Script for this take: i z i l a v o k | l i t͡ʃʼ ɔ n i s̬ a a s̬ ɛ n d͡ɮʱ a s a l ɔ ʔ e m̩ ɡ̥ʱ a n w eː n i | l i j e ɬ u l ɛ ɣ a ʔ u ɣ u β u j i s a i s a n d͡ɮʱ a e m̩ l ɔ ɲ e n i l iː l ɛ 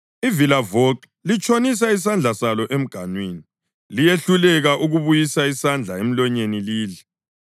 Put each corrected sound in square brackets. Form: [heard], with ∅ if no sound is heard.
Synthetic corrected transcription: i [v] i l a v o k | l i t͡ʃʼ [o] n i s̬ a [i] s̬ [a] n d͡ɮʱ a s a l ɔ ʔ e m̩ ɡ̥ʱ a n w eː n i | l i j e ɬ u l ɛ ɣ a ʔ u ɣ u β u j i s a i s a n d͡ɮʱ a e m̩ l ɔ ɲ e n i l iː l ɛ